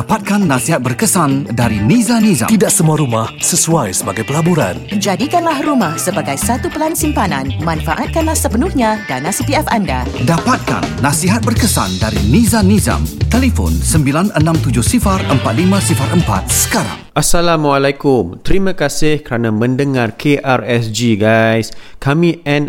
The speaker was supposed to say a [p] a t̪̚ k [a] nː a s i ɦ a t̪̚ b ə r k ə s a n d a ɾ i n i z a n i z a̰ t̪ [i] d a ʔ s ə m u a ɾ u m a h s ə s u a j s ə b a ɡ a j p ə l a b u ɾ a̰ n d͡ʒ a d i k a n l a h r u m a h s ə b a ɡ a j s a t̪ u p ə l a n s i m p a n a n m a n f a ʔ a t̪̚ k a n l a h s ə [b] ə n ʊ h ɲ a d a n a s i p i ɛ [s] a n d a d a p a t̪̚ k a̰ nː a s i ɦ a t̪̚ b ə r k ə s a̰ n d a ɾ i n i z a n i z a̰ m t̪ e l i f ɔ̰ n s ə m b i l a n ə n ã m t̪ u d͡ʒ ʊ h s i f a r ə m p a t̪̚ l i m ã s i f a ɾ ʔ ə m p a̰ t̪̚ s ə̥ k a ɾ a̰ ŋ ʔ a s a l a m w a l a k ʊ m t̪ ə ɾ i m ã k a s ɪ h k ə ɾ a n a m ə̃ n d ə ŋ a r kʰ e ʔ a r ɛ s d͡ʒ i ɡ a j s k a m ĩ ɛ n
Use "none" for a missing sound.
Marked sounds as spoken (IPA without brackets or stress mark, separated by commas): p, a, i, p, f